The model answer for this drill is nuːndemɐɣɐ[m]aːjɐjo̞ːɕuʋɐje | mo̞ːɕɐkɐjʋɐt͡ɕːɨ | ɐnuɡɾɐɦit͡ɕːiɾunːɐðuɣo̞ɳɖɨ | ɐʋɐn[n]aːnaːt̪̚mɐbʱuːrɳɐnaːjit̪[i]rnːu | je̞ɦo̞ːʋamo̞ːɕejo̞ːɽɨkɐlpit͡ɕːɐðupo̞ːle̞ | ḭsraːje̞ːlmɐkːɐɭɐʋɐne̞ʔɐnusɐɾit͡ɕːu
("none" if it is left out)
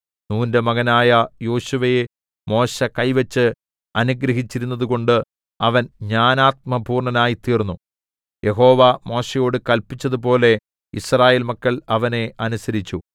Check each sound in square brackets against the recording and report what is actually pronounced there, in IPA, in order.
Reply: n, ɲ, iː

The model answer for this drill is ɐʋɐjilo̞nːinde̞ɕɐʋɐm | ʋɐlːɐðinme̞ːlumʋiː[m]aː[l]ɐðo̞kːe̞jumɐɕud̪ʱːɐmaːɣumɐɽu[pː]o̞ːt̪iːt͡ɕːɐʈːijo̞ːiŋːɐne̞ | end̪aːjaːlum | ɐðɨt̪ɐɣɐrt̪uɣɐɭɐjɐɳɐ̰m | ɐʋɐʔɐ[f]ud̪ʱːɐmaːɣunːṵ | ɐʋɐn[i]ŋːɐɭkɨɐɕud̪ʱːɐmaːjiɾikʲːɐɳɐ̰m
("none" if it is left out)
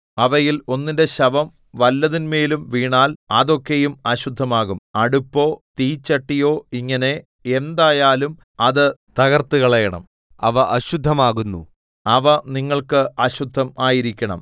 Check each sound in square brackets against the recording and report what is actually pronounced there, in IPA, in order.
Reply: ɳ, l, pː, ɕ, i

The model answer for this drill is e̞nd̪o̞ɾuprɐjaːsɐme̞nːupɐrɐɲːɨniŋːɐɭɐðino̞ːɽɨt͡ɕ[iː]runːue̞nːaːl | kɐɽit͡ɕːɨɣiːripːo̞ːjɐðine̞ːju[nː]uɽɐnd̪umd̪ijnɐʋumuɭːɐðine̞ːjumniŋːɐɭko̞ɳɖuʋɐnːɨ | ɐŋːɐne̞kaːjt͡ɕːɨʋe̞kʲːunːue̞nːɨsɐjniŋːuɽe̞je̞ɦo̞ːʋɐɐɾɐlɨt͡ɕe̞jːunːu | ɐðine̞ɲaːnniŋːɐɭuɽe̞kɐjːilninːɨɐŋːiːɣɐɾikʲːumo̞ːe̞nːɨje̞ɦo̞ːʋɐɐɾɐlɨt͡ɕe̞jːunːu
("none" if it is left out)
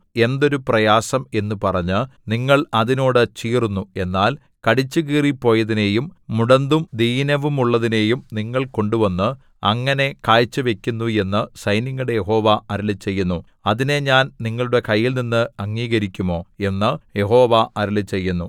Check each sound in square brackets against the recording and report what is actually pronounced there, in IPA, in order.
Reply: iː, mː

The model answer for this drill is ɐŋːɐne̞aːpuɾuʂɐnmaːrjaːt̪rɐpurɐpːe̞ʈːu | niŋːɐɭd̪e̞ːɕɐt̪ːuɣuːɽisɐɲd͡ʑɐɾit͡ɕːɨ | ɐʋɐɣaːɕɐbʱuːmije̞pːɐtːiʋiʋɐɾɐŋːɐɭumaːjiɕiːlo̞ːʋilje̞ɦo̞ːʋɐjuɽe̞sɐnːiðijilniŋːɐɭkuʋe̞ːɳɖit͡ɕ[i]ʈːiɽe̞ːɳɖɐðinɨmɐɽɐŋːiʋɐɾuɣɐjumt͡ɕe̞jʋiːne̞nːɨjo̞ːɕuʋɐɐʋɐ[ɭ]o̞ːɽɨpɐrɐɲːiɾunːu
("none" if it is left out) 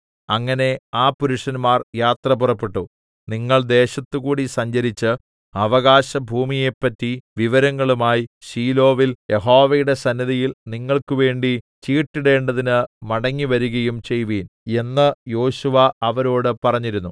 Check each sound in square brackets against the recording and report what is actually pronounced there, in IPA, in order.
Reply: iː, ɾ

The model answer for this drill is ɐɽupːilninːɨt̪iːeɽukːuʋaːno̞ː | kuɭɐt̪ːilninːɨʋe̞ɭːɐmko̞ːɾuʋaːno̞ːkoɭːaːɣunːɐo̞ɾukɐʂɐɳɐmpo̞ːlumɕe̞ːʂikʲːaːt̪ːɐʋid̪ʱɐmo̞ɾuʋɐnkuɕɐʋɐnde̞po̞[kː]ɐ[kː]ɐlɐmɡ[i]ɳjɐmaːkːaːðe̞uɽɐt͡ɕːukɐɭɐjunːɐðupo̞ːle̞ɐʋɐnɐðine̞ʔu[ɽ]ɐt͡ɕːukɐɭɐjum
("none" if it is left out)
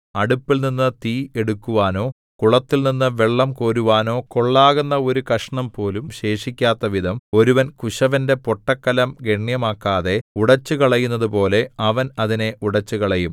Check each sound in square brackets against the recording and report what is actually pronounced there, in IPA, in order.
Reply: ʈː, kː, e, ɽ

